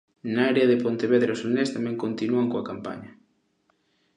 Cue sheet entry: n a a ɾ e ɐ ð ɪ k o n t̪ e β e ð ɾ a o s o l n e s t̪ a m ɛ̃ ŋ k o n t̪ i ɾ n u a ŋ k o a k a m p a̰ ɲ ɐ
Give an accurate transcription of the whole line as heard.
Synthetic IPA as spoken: n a a ɾ e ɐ ð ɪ p o n t̪ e β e ð ɾ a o s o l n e s t̪ a m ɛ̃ ŋ k o n t̪ i n u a ŋ k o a k a m p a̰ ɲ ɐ